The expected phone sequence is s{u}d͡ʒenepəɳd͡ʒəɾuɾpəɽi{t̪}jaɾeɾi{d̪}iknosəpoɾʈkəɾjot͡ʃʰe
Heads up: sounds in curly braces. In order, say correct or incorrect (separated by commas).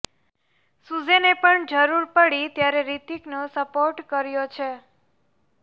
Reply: correct, correct, incorrect